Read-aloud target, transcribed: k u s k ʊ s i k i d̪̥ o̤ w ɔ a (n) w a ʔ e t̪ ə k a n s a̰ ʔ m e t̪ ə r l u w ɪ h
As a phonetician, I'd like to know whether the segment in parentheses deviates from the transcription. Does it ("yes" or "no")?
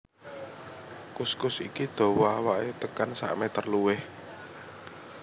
yes